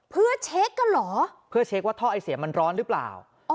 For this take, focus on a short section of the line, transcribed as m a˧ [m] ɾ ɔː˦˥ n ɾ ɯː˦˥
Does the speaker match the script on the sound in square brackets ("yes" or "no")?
no